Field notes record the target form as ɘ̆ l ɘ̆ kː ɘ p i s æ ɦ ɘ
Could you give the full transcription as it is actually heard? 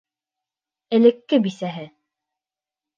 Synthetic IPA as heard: ɘ̆ l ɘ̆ kː ɘ b i s æ ɦ ɘ